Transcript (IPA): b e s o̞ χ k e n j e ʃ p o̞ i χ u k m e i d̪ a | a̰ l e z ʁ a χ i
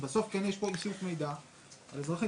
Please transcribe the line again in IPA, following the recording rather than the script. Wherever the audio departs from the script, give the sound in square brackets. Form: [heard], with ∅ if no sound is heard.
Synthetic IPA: b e s o̞ [f] k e n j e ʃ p o̞ i [s] u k m e [j] d̪ a | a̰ l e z ʁ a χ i